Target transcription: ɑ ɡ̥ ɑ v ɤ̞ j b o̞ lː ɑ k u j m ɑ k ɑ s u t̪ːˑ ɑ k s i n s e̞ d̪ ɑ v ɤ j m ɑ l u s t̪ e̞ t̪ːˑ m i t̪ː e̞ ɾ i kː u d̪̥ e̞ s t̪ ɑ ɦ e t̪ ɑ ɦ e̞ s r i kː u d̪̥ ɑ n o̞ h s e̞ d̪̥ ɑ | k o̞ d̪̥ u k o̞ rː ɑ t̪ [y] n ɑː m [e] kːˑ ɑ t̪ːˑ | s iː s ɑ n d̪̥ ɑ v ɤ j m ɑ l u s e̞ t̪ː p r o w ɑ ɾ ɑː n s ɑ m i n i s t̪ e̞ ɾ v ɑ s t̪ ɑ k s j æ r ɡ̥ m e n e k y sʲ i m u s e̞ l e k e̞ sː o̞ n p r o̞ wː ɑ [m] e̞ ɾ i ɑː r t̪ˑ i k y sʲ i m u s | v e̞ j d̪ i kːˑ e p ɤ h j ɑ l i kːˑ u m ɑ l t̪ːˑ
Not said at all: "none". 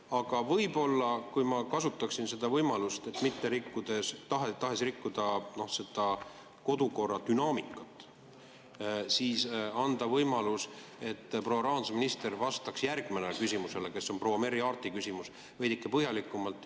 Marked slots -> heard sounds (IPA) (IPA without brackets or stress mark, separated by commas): y, i, m